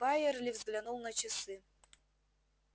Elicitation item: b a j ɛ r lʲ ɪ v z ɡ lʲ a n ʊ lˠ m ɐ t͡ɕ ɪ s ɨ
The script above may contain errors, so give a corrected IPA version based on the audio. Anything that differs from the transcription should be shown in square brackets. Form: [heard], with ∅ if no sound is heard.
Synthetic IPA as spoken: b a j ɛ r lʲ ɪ v z ɡ lʲ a n [u] lˠ [n] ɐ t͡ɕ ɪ s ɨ